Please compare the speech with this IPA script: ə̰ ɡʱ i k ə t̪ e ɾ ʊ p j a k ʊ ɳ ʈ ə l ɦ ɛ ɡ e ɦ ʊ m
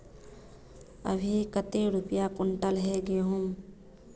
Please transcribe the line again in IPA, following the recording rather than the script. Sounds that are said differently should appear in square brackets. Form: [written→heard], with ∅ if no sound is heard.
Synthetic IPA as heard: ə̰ [ɡʱ→bʱ] i k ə t̪ e ɾ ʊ p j a k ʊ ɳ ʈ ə l ɦ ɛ ɡ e ɦ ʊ m